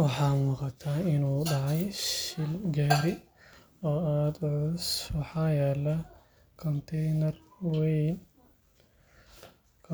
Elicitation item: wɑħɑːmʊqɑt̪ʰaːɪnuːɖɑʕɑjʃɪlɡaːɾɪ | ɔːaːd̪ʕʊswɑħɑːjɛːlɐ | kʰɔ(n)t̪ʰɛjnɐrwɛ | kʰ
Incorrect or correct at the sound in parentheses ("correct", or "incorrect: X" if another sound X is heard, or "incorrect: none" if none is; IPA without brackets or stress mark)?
correct